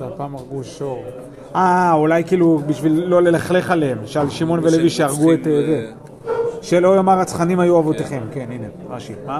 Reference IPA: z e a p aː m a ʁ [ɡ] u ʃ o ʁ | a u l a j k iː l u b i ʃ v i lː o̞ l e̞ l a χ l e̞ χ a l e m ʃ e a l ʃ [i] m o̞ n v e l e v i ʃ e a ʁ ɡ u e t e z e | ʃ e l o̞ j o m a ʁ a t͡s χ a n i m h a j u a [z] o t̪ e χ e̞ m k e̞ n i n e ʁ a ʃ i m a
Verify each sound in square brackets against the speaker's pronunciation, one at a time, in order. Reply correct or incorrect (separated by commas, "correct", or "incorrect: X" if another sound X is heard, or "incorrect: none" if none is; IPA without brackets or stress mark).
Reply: correct, correct, incorrect: v